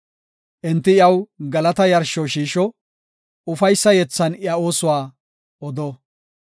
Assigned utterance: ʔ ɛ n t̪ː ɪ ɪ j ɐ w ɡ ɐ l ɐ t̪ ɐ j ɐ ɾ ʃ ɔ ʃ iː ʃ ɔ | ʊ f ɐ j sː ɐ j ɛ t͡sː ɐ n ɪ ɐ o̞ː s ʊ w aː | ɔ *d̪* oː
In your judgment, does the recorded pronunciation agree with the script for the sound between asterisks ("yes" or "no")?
yes